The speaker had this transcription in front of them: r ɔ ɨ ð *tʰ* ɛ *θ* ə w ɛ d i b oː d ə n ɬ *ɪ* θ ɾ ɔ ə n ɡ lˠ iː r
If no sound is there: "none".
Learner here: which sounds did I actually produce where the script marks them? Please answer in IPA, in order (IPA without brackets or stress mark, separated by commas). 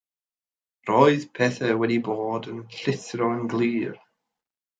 pʰ, θ, ɪ